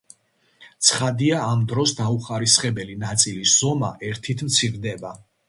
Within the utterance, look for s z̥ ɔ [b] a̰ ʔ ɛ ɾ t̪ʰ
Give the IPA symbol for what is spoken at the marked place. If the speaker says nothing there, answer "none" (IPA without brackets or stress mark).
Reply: m